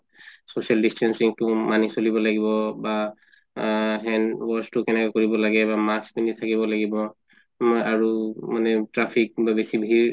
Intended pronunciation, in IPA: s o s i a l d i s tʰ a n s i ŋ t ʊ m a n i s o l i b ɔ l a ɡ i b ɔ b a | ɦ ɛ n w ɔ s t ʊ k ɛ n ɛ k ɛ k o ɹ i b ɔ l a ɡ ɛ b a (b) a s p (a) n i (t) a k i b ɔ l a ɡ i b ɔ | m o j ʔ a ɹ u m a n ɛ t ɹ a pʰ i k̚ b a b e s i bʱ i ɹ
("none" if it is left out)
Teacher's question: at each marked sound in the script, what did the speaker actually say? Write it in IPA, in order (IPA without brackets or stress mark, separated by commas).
m, i, tʰ